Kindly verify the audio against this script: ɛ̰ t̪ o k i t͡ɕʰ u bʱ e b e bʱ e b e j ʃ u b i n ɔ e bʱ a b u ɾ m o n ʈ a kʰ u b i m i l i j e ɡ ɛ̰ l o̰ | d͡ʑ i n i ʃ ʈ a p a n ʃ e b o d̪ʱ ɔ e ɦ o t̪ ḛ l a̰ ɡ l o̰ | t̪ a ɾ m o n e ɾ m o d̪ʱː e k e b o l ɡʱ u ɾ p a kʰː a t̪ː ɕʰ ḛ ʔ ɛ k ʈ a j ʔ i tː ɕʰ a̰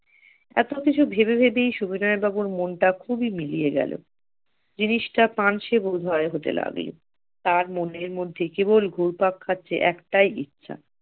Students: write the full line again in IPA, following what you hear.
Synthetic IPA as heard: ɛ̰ t̪ o k i t͡ɕʰ u bʱ e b e bʱ e b e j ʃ u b i n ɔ e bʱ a b u ɾ m o n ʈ a kʰ u b i m i l i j e ɡ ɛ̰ l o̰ | d͡ʑ i n i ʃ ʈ a p a n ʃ e b o d̪ʱ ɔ e ɦ o t̪ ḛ l a̰ ɡ l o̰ | t̪ a ɾ m o n e ɾ m o d̪ʱː e k e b o l ɡʱ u ɾ p a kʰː a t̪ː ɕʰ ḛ ʔ ɛ k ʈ a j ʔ i tː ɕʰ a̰

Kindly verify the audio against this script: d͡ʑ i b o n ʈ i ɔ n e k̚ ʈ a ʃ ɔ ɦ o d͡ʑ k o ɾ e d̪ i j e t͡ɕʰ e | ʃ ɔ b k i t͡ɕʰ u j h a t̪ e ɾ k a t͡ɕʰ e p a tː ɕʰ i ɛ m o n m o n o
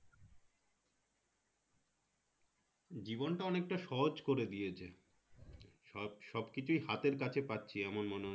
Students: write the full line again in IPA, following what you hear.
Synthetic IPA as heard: d͡ʑ i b o n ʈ a ɔ n e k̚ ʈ a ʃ ɔ ɦ o d͡ʑ k o ɾ e d̪ i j e t͡ɕʰ e | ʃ ɔ b k i t͡ɕʰ u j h a t̪ e ɾ k a t͡ɕʰ e p a tː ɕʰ i ɛ m o n m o n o

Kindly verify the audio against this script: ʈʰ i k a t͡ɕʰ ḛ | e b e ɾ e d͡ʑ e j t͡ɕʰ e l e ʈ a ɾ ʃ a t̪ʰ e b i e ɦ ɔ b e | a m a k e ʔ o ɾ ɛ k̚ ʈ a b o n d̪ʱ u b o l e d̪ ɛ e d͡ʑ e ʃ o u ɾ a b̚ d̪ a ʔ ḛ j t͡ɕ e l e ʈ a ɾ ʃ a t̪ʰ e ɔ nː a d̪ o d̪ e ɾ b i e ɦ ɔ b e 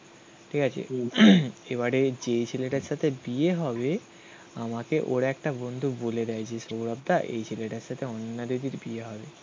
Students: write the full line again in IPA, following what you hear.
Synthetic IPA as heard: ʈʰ i k a t͡ɕʰ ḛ | e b a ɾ e d͡ʑ e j t͡ɕʰ e l e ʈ a ɾ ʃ a t̪ʰ e b i e ɦ ɔ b e | a m a k e ʔ o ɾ ɛ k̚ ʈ a b o n d̪ʱ u b o l e d̪ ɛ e d͡ʑ e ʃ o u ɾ a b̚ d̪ a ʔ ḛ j t͡ɕʰ e l e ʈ a ɾ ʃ a t̪ʰ e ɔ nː a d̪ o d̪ i ɾ b i e ɦ ɔ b e

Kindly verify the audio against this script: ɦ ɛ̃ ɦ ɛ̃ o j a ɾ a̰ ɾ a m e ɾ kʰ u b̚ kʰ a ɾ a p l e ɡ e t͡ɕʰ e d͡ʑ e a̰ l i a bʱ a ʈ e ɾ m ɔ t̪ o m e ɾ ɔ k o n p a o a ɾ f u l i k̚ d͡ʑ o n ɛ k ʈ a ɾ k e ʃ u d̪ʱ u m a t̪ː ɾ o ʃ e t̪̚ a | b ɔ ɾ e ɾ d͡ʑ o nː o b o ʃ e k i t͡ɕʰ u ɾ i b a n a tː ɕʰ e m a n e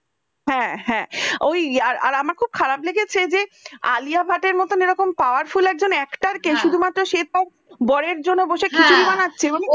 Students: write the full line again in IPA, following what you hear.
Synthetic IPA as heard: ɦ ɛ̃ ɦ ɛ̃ o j a ɾ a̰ ɾ a m a ɾ kʰ u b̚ kʰ a ɾ a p l e ɡ e t͡ɕʰ e d͡ʑ e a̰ l i a bʱ a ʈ e ɾ m ɔ t̪ o n e ɾ ɔ k o m p a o a ɾ f u l ɛ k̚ d͡ʑ o n ɛ k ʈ a ɾ k e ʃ u d̪ʱ u m a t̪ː ɾ o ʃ e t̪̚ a | b ɔ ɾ e ɾ d͡ʑ o nː o b o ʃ e k i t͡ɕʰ u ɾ i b a n a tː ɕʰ e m a n e

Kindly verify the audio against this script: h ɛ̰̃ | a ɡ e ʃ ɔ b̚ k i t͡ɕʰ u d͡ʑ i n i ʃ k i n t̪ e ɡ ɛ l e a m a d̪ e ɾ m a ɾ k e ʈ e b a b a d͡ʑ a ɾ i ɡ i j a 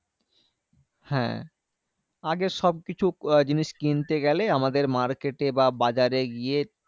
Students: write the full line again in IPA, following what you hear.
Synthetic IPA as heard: h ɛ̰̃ | a ɡ e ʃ ɔ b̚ k i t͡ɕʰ u d͡ʑ i n i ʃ k i n t̪ e ɡ ɛ l e a m a d̪ e ɾ m a ɾ k e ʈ e b a b a d͡ʑ a ɾ e ɡ i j e

